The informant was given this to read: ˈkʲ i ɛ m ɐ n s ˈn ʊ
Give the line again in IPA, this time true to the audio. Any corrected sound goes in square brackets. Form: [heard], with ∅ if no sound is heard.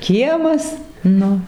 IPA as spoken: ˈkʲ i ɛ m ɐ [∅] s ˈn ʊ